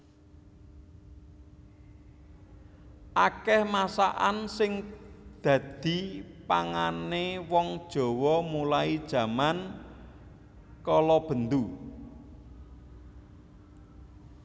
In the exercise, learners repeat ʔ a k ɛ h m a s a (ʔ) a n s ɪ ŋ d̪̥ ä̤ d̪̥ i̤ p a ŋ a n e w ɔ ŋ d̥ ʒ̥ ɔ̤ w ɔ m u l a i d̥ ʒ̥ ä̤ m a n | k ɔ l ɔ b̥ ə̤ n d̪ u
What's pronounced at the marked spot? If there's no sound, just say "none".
ʔ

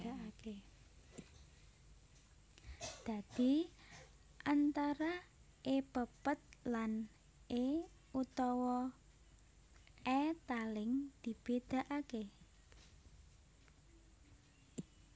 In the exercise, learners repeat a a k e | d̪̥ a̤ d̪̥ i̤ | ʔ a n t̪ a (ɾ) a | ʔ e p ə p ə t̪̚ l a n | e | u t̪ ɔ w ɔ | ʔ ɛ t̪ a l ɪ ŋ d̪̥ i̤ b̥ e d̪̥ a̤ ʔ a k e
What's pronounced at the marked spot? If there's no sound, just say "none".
ɾ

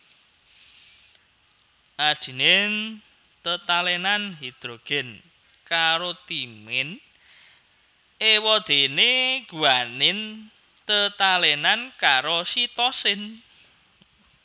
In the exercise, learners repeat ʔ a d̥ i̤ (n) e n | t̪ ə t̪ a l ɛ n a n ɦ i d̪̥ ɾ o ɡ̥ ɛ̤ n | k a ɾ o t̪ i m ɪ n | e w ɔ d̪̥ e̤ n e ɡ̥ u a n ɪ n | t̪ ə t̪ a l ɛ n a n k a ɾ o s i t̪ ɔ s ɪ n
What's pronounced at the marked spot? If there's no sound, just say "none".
n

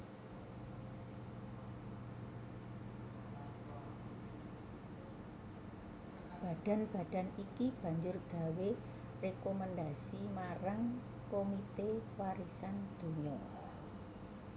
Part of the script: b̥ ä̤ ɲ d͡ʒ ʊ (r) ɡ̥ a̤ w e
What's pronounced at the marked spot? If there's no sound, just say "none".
r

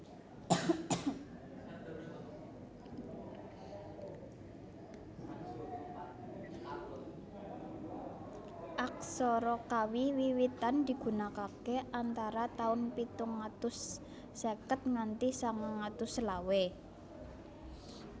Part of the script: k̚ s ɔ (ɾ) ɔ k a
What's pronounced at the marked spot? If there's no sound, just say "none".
ɾ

